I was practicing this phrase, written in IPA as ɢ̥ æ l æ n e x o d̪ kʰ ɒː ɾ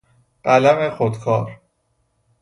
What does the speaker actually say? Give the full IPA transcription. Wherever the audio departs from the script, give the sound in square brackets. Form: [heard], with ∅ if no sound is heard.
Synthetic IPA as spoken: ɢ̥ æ l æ [m] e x o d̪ kʰ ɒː ɾ